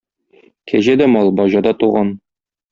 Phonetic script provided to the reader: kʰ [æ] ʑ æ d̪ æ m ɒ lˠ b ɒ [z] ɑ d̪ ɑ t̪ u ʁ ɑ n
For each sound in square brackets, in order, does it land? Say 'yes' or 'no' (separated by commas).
yes, no